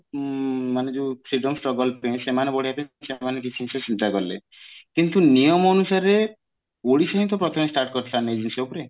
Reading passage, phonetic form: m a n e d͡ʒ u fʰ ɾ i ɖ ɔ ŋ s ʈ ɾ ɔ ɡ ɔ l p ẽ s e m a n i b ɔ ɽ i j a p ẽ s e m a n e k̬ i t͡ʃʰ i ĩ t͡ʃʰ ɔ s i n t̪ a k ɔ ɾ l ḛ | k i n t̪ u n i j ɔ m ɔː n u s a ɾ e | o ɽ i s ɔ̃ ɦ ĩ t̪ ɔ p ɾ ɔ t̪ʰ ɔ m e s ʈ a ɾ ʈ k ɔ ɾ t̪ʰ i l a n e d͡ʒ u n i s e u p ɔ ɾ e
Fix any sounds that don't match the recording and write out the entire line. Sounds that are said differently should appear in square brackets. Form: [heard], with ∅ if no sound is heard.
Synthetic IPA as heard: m a n e d͡ʒ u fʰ ɾ i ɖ ɔ [m] s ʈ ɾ ɔ ɡ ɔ l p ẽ s e m a n [e] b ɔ ɽ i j a p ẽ s e m a n e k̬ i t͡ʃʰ i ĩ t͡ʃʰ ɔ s i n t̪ a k ɔ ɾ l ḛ | k i n t̪ u n i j ɔ m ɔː n u s a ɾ e | o ɽ i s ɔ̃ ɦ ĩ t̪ ɔ p ɾ ɔ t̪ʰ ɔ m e s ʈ a ɾ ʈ k ɔ ɾ t̪ʰ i l a n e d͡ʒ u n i s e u p ɔ ɾ e